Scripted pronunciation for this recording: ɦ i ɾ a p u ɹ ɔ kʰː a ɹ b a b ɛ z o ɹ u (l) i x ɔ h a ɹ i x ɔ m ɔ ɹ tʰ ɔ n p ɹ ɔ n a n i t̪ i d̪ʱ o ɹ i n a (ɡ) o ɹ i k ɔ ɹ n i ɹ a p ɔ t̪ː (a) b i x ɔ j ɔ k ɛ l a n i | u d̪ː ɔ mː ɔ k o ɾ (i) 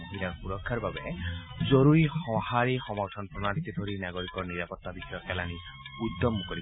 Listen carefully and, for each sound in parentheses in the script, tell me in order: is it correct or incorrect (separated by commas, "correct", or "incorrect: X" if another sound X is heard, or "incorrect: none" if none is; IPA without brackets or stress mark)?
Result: incorrect: ɹ, correct, correct, correct